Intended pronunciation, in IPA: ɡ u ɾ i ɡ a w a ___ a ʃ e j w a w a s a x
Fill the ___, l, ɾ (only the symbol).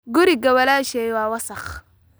l